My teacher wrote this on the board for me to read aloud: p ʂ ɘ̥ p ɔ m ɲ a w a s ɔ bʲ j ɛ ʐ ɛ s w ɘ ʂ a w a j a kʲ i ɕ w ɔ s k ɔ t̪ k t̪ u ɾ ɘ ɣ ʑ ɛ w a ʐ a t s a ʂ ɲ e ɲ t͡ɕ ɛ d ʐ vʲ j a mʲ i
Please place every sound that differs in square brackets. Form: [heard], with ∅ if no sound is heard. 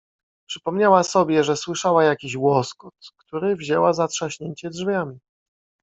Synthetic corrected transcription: p ʂ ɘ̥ p ɔ m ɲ a w a s ɔ bʲ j ɛ ʐ ɛ s w ɘ ʂ a w a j a kʲ i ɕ w ɔ s k ɔ t̪ k t̪ u ɾ ɘ [v] ʑ ɛ w a [z] a t [ʂ] a [ɕ] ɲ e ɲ t͡ɕ ɛ d ʐ vʲ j a mʲ i

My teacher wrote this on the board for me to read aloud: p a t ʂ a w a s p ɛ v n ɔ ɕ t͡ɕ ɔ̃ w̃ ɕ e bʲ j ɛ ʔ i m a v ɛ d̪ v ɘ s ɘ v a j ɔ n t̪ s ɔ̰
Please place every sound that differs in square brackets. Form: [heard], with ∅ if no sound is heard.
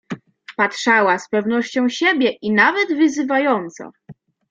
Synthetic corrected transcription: p a t ʂ a w a s p ɛ v n ɔ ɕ t͡ɕ ɔ̃ w̃ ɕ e bʲ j ɛ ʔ i [n] a v ɛ d̪ v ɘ [z] ɘ v a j ɔ n t̪ s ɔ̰

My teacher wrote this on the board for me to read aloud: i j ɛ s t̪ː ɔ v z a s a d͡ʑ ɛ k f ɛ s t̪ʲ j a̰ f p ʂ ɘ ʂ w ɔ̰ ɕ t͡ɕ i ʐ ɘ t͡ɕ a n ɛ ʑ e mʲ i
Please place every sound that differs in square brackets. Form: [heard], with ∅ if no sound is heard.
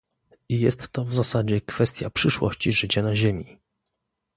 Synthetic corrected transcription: i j ɛ s t̪ː ɔ v z a s a d͡ʑ ɛ k f ɛ s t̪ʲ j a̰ [∅] p ʂ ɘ ʂ w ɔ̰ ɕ t͡ɕ i ʐ ɘ t͡ɕ a n [a] ʑ e mʲ i

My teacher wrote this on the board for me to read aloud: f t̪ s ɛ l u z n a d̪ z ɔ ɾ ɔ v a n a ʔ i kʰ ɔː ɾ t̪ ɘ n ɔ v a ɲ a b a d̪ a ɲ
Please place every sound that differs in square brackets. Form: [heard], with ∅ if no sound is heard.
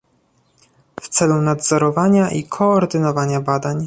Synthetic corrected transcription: f t̪ s ɛ l u [∅] n a d̪ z ɔ ɾ ɔ v a [ɲ] a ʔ i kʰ ɔː ɾ [d̪] ɘ n ɔ v a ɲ a b a d̪ a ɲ

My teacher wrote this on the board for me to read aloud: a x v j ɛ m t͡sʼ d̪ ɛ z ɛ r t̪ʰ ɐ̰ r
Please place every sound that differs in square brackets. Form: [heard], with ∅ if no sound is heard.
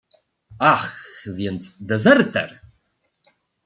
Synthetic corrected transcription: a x v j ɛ [n] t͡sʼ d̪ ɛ z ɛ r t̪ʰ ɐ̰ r

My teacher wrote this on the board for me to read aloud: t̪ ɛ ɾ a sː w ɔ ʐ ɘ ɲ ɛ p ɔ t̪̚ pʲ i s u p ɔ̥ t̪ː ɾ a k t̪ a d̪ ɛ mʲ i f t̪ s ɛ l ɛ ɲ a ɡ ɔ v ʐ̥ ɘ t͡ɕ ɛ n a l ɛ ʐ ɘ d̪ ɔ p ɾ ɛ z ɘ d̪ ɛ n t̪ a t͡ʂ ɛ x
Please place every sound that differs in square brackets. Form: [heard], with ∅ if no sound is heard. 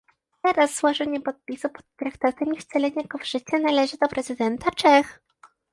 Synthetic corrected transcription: t̪ ɛ ɾ a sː w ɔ ʐ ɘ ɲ ɛ p ɔ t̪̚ pʲ i s u p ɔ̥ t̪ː ɾ a k t̪ a [t̪] ɛ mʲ i f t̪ s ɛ l ɛ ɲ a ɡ ɔ v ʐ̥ ɘ t͡ɕ ɛ n a l ɛ ʐ ɘ d̪ ɔ p ɾ ɛ z ɘ d̪ ɛ n t̪ a t͡ʂ ɛ x

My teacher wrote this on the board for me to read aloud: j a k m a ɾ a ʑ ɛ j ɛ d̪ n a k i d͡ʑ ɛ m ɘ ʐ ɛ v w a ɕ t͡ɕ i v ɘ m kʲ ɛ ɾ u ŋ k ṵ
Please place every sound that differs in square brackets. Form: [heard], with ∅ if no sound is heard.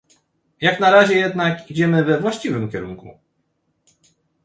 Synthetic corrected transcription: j a k [n] a ɾ a ʑ ɛ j ɛ d̪ n a k i d͡ʑ ɛ m ɘ [v] ɛ v w a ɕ t͡ɕ i v ɘ m kʲ ɛ ɾ u ŋ k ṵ

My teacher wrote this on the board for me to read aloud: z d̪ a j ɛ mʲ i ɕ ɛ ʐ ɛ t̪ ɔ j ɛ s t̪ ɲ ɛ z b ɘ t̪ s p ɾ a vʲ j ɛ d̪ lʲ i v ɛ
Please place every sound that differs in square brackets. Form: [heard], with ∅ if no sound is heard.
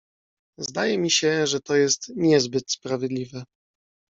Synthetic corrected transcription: z d̪ a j ɛ mʲ i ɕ ɛ ʐ ɛ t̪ ɔ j ɛ s t̪ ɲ ɛ z b ɘ t̪ s p ɾ a vʲ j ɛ d̪ lʲ i v ɛ

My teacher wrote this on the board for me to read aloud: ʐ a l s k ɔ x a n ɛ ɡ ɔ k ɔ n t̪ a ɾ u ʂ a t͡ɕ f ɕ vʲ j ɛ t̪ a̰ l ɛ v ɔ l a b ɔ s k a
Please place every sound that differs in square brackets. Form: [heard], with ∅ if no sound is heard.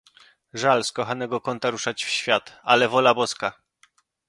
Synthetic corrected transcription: ʐ a l s k ɔ x a n ɛ ɡ ɔ k ɔ n t̪ a ɾ u ʂ a t͡ɕ f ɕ [fʲ] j [a] t̪ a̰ l ɛ v ɔ l a b ɔ s k a

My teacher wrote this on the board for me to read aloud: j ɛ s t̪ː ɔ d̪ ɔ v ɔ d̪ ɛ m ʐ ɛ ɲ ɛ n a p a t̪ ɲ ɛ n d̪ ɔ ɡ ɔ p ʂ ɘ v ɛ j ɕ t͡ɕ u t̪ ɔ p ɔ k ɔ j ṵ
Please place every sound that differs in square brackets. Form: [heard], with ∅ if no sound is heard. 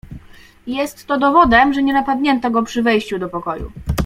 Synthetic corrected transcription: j ɛ s t̪ː ɔ d̪ ɔ v ɔ d̪ ɛ m ʐ ɛ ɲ ɛ n a p a [d̪] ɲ ɛ n [t̪] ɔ ɡ ɔ p ʂ ɘ v ɛ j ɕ t͡ɕ u [d̪] ɔ p ɔ k ɔ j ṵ

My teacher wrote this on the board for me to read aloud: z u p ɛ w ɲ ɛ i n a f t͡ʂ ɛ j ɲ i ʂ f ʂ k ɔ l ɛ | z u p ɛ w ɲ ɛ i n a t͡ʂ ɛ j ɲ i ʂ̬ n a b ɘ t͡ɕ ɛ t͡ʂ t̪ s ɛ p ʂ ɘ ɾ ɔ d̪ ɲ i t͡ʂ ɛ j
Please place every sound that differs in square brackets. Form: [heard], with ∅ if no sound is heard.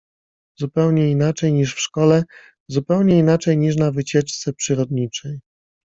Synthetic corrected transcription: z u p ɛ w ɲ ɛ i n a [∅] t͡ʂ ɛ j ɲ i ʂ f ʂ k ɔ l ɛ | z u p ɛ w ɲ ɛ i n a t͡ʂ ɛ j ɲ i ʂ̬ n a [v] ɘ t͡ɕ ɛ t͡ʂ t̪ s ɛ p ʂ ɘ ɾ ɔ d̪ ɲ i t͡ʂ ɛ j

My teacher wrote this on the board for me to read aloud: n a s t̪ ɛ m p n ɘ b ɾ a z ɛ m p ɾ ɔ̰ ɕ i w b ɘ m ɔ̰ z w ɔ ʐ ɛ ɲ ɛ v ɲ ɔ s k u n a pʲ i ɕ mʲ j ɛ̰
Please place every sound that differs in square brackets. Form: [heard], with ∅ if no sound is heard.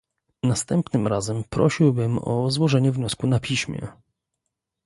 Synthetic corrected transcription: n a s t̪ ɛ m p n ɘ [m] ɾ a z ɛ m p ɾ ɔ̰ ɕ i w b ɘ m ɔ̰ z w ɔ ʐ ɛ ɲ ɛ v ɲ ɔ s k u n a pʲ i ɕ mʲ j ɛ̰

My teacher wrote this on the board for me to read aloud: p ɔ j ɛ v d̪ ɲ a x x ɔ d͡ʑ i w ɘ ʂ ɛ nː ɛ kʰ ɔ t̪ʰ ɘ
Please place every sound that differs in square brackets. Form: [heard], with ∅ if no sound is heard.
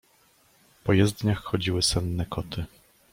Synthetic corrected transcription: p ɔ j ɛ [z] d̪ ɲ a x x ɔ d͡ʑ i w ɘ [s] ɛ nː ɛ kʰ ɔ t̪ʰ ɘ

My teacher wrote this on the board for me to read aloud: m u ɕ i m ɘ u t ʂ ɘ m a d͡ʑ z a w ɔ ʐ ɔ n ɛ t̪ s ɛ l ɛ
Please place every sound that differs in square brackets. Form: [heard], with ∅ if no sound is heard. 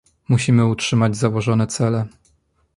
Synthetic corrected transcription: m u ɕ i m ɘ u t ʂ ɘ m a d͡ʑ z a w ɔ ʐ ɔ n ɛ t̪ s ɛ l ɛ

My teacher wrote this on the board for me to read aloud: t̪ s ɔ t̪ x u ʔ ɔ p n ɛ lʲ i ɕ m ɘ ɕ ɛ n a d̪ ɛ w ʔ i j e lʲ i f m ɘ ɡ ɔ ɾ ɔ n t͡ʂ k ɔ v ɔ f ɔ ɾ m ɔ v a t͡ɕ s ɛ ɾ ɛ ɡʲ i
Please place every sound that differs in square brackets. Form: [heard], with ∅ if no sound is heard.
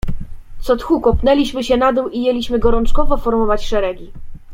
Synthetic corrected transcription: t̪ s ɔ t̪ x u [k] ɔ p n ɛ lʲ i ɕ m ɘ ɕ ɛ n a d̪ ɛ w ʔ i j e lʲ i [ɕ] m ɘ ɡ ɔ ɾ ɔ n t͡ʂ k ɔ v ɔ f ɔ ɾ m ɔ v a t͡ɕ [ʂ] ɛ ɾ ɛ ɡʲ i

